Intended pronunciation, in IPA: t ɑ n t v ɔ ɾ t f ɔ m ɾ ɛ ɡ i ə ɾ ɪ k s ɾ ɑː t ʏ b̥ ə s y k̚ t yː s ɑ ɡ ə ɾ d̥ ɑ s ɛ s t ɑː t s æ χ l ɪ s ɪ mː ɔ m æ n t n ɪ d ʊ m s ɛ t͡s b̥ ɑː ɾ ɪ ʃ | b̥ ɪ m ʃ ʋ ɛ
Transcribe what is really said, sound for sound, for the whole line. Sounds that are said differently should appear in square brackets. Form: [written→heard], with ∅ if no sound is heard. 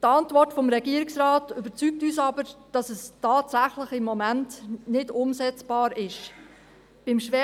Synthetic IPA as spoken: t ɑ n t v ɔ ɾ t f ɔ m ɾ ɛ ɡ i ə ɾ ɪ k s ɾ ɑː t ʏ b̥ ə [s→t͡s] y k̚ t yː s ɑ [ɡ→b] ə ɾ d̥ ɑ s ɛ s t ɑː t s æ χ l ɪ [s→χ] ɪ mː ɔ m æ n t n ɪ d ʊ m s ɛ t͡s b̥ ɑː ɾ ɪ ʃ | b̥ ɪ m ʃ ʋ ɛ

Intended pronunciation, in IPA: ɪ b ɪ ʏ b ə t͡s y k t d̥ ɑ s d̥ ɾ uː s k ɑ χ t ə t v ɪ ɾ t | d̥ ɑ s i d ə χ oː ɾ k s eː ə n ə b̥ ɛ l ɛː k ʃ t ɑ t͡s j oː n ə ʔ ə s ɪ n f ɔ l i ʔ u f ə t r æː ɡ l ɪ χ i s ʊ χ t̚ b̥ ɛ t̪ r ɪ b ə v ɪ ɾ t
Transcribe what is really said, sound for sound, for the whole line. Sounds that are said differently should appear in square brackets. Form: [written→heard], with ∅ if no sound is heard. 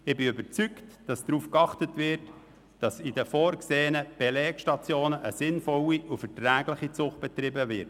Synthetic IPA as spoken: ɪ b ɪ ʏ b ə t͡s y k t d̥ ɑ s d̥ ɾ uː [s→f] k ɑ χ t ə t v ɪ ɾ t | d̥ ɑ s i d ə [χ→f] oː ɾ k s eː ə n ə b̥ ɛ l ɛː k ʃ t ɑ t͡s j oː n ə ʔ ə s ɪ n f ɔ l i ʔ u f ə t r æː ɡ l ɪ χ i [s→t͡s] ʊ χ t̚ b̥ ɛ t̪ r ɪ b ə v ɪ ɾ t

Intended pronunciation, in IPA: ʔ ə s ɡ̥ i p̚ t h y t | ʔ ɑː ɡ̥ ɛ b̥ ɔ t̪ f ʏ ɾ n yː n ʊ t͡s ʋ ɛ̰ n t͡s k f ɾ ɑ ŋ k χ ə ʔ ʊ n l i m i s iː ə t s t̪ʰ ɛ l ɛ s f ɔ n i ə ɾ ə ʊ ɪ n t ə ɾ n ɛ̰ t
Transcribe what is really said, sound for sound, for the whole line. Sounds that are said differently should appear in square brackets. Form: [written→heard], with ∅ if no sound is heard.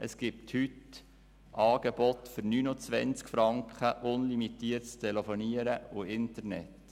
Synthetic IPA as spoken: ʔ ə s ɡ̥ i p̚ t h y t | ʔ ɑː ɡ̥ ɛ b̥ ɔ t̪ f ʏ ɾ n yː n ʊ t͡s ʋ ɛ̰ n t͡s k f ɾ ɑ ŋ k χ ə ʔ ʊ n l i m i [s→t] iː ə t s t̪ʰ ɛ l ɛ [s→∅] f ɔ n i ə ɾ ə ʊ ɪ n t ə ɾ n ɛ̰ t

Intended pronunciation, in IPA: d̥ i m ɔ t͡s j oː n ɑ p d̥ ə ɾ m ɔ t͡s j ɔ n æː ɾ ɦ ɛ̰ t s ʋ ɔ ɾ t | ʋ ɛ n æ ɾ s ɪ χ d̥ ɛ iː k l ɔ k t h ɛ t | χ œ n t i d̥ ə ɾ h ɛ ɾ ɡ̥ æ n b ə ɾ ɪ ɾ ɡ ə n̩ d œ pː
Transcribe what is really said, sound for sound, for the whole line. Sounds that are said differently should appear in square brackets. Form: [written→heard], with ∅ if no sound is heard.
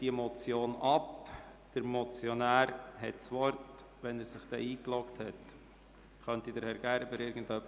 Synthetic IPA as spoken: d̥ i m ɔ t͡s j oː n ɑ p d̥ ə ɾ m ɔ t͡s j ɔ n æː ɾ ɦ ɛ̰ t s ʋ ɔ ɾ t | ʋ ɛ n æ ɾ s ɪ χ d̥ ɛ iː k l ɔ k t h ɛ t | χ œ n t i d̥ ə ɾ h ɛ ɾ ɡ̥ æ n b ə ɾ ɪ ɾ ɡ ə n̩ d œ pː

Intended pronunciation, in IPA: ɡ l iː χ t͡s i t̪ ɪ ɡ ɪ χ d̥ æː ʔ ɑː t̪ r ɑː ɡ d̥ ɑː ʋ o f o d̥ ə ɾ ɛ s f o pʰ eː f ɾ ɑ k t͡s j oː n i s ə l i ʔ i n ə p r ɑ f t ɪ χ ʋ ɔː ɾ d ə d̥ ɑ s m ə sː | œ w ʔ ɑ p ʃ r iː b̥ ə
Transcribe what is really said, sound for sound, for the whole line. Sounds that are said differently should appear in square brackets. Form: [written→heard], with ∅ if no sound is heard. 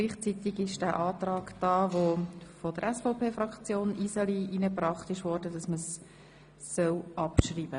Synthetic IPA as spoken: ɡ l iː χ t͡s i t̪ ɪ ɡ ɪ [χ→ʃ] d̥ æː ʔ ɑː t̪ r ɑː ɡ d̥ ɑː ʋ o f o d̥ ə ɾ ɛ s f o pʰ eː f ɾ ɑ k t͡s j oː n i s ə l i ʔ i n ə p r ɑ [f→χ] t ɪ [χ→ʃ] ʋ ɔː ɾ d ə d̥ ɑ s m ə sː | œ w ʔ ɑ p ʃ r iː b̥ ə

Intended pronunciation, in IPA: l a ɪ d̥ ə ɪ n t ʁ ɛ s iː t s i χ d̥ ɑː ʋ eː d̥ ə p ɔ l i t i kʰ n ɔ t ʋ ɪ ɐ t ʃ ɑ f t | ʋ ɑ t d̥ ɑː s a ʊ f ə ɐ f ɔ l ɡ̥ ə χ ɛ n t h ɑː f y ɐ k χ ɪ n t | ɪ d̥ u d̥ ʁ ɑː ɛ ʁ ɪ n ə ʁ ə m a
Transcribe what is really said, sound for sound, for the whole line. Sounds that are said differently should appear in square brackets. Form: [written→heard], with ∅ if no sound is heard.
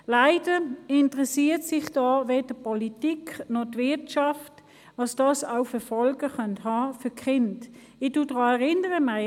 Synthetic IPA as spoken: l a ɪ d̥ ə ɪ n t ʁ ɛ s iː t s [i→ɪ] χ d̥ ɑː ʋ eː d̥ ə p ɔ l i t i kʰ n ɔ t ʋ ɪ ɐ t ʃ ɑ f t | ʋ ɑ [t→s] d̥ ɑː s a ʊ f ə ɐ f ɔ l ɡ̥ ə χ [ɛ→œ] n t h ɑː f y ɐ k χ ɪ n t | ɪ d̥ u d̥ ʁ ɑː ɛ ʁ ɪ n ə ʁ ə m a

